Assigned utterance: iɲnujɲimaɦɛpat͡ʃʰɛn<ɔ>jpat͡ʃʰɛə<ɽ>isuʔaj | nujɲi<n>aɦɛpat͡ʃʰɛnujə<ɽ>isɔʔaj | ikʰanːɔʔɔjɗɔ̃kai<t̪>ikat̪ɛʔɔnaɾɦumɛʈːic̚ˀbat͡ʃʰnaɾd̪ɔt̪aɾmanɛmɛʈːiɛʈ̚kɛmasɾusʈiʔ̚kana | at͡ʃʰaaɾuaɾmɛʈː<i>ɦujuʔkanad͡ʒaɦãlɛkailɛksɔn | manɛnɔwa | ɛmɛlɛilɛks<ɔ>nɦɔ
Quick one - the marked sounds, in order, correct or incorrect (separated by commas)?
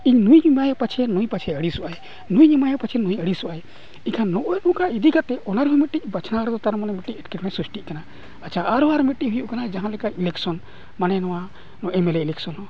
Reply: incorrect, correct, incorrect, correct, incorrect, correct, correct